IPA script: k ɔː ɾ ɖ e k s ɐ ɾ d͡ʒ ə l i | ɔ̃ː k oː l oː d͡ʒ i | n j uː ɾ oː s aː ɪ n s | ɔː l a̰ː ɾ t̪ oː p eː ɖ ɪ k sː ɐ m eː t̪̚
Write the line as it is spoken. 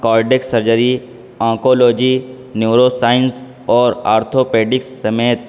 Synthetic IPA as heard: k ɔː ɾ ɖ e k s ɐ ɾ d͡ʒ ə ɾ i | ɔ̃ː k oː l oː d͡ʒ i | n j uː ɾ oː s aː ɪ n s | ɔː ɾ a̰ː ɾ t̪ʰ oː p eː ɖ ɪ k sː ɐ m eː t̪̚

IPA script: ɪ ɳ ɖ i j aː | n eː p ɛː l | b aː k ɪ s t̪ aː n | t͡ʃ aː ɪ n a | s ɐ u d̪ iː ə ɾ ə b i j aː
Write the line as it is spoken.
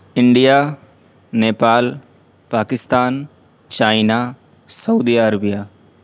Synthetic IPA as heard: ɪ ɳ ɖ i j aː | n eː p aː l | p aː k ɪ s t̪ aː n | t͡ʃ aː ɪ n a | s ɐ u d̪ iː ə ɾ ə b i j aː

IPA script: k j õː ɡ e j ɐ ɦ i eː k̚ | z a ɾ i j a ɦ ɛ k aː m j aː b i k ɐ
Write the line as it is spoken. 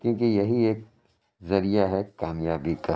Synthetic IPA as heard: k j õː k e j ɐ ɦ i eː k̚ | z ɐ ɾ i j a ɦ ɛ k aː m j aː b i k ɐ

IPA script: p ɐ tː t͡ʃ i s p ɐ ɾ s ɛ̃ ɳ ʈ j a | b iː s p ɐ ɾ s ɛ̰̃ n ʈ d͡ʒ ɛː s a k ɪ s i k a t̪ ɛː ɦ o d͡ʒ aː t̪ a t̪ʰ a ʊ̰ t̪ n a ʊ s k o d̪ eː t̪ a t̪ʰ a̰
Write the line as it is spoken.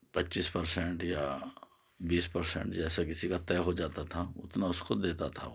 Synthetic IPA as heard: p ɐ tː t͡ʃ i s p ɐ ɾ s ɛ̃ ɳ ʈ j a | b iː s p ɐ ɾ s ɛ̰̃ ɳ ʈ d͡ʒ ɛː s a k ɪ s i k a t̪ ɛː ɦ o d͡ʒ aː t̪ a t̪ʰ a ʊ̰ t̪ n a ʊ s k o d̪ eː t̪ a t̪ʰ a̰

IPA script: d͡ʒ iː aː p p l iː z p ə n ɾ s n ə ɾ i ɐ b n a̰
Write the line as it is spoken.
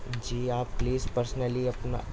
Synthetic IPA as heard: d͡ʒ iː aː p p l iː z p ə ɾ s n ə l i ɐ p n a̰

